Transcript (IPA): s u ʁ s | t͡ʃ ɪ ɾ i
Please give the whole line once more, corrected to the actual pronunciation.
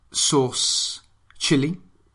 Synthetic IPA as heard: s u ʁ s | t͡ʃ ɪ l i